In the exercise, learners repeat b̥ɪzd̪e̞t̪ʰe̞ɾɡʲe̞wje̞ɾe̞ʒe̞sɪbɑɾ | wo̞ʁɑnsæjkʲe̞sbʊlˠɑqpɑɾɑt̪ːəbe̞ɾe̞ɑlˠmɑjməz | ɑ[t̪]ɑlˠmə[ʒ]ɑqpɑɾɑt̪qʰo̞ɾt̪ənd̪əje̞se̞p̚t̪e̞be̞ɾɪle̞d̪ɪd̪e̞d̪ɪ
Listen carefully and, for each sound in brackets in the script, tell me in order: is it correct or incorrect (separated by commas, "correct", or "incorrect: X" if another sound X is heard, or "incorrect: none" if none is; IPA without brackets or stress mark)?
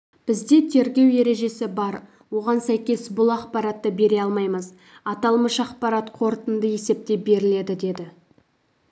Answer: correct, incorrect: ʃ